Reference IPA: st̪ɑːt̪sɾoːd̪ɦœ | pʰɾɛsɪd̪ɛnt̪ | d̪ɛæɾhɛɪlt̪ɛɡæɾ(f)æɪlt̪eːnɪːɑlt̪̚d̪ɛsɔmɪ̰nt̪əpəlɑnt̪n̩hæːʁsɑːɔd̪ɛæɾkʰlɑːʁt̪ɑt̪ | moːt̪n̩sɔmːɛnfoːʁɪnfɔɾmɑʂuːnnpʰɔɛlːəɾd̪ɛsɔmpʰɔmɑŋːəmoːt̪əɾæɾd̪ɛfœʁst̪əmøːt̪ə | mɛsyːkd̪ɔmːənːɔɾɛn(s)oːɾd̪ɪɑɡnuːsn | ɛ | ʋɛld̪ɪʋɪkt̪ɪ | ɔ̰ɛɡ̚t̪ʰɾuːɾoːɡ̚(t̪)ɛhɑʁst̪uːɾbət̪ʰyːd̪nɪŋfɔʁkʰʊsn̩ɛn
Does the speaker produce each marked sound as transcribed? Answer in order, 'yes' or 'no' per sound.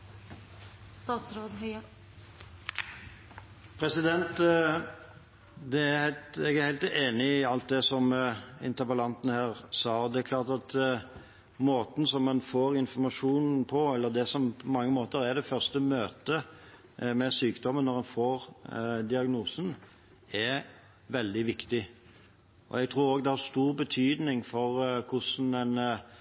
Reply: no, no, no

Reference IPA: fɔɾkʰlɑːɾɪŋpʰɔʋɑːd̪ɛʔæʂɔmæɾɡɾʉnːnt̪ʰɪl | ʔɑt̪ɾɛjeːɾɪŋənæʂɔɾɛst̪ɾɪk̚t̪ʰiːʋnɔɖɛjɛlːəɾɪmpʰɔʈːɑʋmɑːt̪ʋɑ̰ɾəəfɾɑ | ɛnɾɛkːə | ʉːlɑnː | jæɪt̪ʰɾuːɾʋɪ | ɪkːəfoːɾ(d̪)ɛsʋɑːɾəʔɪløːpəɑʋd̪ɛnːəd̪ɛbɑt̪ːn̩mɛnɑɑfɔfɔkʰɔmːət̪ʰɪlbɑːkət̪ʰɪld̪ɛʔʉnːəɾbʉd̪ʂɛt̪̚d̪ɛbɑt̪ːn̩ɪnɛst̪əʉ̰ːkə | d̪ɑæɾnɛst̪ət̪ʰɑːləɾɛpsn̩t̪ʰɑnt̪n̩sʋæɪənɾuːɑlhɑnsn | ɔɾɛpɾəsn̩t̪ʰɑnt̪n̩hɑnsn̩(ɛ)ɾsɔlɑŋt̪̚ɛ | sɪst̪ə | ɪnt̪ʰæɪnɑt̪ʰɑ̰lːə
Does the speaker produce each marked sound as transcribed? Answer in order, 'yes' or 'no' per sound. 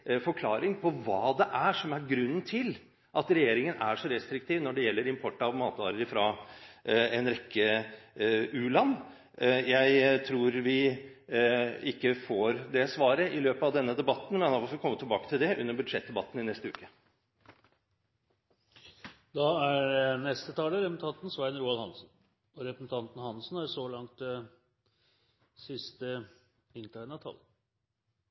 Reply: yes, no

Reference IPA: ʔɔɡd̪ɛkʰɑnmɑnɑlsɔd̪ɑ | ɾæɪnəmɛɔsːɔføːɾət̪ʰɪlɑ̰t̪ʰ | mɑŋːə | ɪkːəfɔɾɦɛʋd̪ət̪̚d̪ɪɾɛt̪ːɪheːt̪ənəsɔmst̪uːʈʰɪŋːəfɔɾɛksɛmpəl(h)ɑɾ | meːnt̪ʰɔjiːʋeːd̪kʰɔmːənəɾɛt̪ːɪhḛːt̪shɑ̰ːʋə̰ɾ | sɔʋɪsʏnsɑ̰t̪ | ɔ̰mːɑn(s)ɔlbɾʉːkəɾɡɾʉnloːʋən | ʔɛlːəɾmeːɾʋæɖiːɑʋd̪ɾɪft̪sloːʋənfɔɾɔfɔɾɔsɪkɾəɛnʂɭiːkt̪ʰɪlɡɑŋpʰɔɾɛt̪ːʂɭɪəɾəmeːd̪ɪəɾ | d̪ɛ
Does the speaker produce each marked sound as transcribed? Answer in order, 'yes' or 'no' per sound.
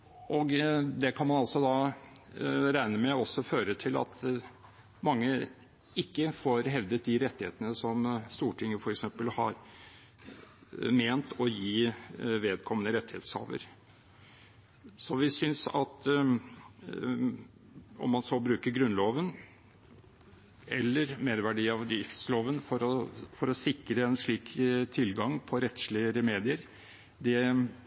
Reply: yes, yes

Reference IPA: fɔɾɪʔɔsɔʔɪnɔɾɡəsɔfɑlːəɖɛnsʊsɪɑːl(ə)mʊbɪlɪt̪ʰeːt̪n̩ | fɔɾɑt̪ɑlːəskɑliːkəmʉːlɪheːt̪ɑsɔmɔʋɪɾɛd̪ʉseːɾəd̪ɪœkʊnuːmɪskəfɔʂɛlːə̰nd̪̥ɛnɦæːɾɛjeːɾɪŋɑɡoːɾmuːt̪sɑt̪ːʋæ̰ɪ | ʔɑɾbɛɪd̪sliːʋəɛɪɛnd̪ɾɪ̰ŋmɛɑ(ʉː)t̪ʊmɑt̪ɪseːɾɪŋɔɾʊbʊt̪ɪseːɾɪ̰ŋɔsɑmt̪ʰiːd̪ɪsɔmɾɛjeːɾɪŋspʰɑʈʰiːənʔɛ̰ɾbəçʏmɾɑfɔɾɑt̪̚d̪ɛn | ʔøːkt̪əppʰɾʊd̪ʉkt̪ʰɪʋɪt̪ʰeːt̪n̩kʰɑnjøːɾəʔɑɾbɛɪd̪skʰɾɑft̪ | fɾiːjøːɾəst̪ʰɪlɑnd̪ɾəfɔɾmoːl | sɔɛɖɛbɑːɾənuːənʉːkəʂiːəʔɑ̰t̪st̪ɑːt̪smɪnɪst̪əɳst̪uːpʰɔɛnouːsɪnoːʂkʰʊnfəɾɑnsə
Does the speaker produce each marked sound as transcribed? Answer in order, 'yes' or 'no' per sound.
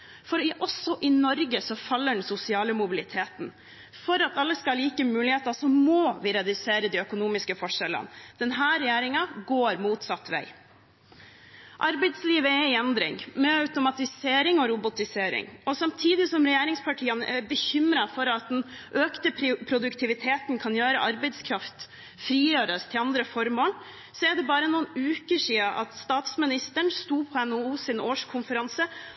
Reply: yes, no

